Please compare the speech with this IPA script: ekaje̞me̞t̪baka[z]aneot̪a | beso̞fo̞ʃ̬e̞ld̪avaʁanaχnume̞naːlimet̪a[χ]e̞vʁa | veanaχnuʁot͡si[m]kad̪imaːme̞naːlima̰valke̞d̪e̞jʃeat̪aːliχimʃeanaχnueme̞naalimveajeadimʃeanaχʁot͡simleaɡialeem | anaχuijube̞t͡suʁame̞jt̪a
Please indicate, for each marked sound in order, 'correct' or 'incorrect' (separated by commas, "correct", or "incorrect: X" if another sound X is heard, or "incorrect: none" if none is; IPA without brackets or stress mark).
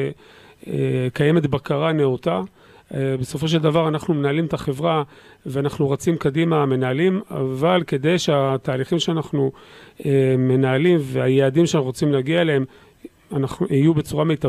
incorrect: ʁ, correct, correct